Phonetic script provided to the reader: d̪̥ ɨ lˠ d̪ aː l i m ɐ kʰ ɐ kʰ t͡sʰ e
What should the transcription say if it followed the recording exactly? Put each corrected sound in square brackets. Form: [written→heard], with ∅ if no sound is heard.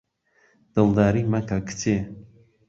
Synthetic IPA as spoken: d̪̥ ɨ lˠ d̪ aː [l→ɾ] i m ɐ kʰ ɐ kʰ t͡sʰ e

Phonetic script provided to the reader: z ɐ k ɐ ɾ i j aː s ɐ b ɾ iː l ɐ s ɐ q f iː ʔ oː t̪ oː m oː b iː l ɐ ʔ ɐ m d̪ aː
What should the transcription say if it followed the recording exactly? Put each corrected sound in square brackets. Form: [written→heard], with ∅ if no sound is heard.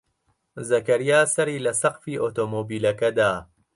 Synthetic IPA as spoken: z ɐ k ɐ ɾ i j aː s ɐ [b→∅] ɾ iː l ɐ s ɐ q f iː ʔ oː t̪ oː m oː b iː l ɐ [ʔ→k] ɐ [m→∅] d̪ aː

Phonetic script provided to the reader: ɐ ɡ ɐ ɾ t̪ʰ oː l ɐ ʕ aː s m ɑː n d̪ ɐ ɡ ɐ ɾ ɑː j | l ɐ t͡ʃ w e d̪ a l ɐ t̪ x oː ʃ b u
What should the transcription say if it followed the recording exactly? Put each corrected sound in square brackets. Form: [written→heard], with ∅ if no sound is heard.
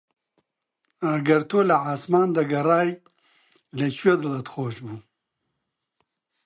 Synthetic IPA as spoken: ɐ ɡ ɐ ɾ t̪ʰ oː l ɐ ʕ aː s m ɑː n d̪ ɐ ɡ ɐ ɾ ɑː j | l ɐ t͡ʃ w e d̪ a l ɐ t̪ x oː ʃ b u

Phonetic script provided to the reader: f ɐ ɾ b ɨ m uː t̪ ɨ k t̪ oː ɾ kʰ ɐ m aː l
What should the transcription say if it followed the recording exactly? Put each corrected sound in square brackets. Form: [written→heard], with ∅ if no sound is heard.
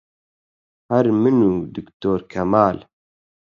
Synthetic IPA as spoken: [f→h] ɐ ɾ [b→m] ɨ [m→n] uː [t̪→d̪] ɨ k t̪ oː ɾ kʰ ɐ m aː l

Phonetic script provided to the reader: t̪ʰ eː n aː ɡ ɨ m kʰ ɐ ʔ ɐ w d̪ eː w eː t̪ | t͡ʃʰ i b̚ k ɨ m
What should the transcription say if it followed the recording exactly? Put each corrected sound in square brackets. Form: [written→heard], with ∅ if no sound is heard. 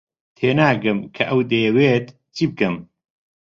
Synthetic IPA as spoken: t̪ʰ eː n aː ɡ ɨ m kʰ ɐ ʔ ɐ w d̪ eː w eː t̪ | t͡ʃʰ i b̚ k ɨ m

